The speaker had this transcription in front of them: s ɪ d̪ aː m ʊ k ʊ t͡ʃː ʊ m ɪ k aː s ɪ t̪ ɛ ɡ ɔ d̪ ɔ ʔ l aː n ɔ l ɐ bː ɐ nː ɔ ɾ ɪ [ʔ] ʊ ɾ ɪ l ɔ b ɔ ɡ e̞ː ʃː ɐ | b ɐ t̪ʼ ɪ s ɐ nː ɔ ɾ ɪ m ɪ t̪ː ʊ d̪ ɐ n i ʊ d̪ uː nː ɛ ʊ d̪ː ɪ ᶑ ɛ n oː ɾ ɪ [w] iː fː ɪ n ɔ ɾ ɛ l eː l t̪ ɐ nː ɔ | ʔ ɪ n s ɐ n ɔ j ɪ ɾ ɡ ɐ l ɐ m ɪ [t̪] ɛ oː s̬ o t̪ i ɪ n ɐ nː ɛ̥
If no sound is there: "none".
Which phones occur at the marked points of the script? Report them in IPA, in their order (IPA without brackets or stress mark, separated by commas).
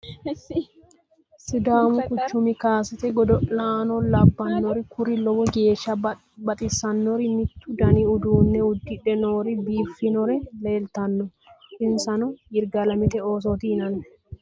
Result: k, b, t̪